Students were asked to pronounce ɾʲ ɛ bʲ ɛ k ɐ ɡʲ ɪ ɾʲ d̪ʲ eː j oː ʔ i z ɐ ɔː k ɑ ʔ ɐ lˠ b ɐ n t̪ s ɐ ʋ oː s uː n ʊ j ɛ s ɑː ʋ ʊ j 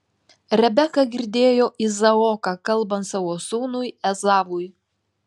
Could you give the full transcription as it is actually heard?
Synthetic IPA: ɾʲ ɛ bʲ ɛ k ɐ ɡʲ ɪ ɾʲ d̪ʲ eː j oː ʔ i z ɐ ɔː k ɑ k ɐ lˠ b ɐ n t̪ s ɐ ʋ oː s uː n ʊ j ɛ z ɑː ʋ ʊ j